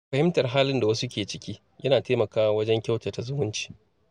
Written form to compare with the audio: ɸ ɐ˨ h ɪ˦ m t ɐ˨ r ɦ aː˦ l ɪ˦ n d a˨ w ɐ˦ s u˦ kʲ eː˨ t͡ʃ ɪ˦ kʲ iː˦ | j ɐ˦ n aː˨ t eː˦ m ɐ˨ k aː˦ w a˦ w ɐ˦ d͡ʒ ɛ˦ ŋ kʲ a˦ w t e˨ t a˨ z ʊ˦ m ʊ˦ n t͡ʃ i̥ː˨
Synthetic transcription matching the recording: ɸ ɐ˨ h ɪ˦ m t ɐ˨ r ɦ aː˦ l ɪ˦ n d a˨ w ɐ˦ s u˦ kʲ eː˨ t͡ʃ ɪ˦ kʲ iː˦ | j ɐ˦ n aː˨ t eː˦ m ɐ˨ k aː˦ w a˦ w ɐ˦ d͡ʒ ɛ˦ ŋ kʲ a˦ w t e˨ t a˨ z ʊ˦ m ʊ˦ n t͡ʃ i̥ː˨